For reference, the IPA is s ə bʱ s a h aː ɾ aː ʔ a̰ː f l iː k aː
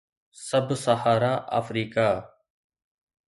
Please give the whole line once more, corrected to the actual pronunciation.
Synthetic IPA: s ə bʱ s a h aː ɾ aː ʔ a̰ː f ɾ iː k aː